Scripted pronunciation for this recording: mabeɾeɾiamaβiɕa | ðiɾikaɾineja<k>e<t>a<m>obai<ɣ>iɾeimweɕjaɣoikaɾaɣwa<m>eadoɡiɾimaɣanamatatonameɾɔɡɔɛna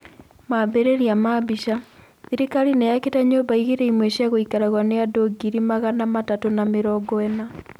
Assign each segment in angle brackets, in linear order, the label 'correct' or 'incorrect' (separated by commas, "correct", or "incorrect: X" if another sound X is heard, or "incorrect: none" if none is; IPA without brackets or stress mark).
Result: correct, correct, incorrect: ɲ, correct, incorrect: n